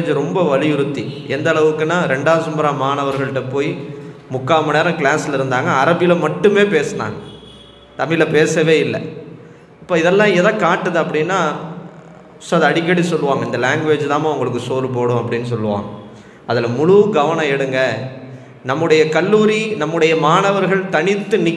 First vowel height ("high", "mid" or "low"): mid